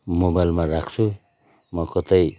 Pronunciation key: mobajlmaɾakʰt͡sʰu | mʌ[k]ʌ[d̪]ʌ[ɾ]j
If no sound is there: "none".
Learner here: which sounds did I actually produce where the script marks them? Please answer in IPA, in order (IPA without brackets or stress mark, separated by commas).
k, t̪, none